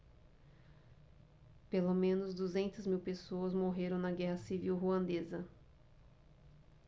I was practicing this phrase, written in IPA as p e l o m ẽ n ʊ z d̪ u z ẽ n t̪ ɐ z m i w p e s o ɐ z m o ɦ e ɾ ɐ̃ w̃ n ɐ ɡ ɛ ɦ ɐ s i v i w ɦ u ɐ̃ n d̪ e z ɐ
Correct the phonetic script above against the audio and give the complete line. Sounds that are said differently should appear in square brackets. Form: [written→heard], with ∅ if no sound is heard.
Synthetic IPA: p e l o m ẽ n ʊ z d̪ u z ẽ n t̪ ɐ z m i w p e s o ɐ z m o ɦ e ɾ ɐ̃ w̃ n ɐ ɡ ɛ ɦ ɐ s i v i w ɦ u ɐ̃ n d̪ e z ɐ